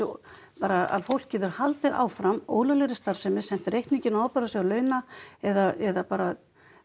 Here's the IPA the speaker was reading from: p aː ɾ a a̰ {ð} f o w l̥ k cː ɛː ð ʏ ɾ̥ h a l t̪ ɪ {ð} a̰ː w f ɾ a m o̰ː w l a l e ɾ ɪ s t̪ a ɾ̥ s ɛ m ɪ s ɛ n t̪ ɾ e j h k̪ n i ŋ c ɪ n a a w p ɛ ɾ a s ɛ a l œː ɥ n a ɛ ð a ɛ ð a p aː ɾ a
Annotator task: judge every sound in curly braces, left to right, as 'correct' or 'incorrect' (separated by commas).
correct, correct